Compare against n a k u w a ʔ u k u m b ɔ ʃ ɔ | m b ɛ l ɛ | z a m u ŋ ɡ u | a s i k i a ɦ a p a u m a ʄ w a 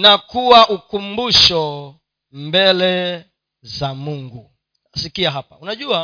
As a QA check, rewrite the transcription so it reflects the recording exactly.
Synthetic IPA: n a k u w a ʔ u k u m b u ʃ ɔ | m b ɛ l ɛ | z a m u ŋ ɡ u | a s i k i a ɦ a p a u n a ʄ u a